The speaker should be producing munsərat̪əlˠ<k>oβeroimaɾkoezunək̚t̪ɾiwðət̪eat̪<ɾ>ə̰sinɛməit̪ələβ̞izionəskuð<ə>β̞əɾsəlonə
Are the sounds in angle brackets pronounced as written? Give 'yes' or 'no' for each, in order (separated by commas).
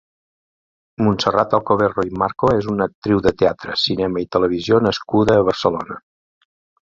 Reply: yes, yes, no